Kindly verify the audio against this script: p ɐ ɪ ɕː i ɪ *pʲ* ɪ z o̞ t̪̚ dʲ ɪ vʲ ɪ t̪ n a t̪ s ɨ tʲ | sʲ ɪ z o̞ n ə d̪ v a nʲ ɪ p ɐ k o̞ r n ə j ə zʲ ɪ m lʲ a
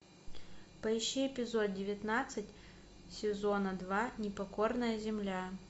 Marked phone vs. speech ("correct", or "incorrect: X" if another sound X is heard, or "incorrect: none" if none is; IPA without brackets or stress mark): correct